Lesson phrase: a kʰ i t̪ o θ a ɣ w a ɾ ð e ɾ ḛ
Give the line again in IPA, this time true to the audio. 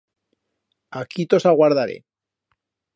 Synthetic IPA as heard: a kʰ i t̪ o s a ɣ w a ɾ ð a ɾ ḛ